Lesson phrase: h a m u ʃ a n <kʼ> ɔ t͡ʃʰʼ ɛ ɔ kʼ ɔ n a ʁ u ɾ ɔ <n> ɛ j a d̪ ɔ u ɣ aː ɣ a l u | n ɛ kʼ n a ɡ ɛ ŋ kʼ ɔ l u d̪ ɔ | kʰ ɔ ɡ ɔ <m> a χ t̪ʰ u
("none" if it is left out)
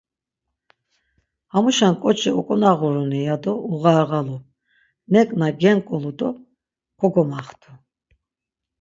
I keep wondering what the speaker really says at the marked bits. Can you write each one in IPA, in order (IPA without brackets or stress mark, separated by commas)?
kʼ, n, m